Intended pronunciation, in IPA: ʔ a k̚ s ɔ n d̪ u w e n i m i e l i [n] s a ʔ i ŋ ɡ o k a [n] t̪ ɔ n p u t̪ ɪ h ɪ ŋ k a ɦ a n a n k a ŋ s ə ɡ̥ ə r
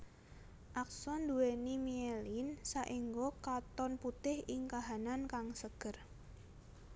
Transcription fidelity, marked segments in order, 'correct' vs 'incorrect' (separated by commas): correct, incorrect